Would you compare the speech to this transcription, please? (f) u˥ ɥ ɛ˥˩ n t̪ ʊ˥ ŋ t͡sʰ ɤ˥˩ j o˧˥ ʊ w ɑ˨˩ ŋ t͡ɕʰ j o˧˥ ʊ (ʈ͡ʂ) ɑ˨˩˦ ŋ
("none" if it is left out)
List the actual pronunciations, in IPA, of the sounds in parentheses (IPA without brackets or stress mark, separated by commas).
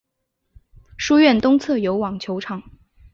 ʂ, ʈ͡ʂʰ